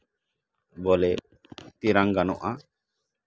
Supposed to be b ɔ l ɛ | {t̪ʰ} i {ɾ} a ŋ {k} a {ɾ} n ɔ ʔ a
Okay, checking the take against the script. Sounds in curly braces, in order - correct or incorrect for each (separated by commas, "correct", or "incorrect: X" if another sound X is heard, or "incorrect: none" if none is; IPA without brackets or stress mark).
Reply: incorrect: t̪, correct, incorrect: ɡ, incorrect: none